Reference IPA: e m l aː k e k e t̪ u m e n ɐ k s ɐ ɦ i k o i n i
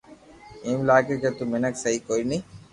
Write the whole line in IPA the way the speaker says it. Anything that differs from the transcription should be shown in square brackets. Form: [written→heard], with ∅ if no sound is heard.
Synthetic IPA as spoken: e m l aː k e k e t̪ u m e n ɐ k s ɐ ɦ i k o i n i